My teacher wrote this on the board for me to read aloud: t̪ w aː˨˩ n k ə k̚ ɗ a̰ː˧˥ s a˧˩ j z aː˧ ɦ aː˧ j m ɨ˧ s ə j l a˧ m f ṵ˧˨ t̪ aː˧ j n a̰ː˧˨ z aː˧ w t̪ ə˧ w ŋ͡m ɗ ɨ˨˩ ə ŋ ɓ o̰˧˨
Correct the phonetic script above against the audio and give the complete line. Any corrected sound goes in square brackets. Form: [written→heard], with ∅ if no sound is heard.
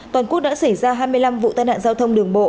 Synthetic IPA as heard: t̪ w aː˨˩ n k ə k̚ ɗ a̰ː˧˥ s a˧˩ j z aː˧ ɦ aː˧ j m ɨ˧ [s→∅] ə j l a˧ m [f→v] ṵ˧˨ t̪ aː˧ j n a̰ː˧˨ z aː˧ w [t̪→t̪ʰ] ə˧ w ŋ͡m ɗ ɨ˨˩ ə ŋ ɓ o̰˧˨